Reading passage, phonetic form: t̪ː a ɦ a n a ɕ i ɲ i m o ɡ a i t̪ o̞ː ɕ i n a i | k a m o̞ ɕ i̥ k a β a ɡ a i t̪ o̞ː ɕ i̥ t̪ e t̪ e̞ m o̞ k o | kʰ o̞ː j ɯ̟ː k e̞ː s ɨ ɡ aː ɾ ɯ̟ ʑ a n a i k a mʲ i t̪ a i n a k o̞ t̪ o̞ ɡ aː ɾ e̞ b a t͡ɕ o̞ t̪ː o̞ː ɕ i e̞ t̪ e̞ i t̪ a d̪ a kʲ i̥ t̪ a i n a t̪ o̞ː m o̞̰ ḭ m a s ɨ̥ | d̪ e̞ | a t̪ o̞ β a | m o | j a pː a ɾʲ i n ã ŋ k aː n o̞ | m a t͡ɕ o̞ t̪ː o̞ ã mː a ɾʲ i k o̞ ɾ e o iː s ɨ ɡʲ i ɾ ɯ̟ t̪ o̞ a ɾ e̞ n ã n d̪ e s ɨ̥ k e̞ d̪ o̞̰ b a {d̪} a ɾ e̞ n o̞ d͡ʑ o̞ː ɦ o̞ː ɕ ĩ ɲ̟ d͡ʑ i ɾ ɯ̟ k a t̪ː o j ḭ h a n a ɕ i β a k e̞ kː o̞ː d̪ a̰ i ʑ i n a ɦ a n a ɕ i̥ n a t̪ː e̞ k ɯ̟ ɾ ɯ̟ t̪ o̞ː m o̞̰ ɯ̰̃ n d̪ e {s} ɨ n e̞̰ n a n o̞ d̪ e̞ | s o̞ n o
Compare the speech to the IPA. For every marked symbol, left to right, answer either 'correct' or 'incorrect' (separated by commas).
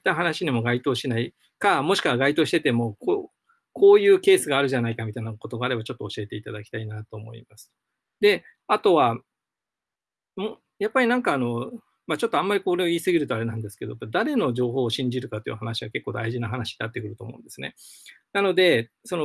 correct, correct